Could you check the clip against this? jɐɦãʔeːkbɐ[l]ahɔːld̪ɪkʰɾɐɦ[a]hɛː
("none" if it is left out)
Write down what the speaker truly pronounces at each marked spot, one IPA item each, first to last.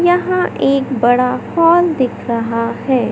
ɽ, a

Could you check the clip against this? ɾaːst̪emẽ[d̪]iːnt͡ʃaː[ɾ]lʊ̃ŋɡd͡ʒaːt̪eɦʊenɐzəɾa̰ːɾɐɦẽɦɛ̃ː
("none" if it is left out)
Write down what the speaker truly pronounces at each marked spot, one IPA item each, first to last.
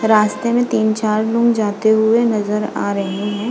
t̪, ɾ

